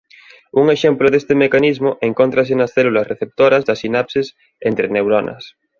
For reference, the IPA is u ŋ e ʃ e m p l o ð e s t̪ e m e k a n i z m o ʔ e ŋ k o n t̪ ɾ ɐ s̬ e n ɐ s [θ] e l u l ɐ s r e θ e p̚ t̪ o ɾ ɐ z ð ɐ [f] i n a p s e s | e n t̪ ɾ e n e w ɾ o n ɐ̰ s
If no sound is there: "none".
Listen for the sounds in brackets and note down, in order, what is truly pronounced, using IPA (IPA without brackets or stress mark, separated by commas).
θ, s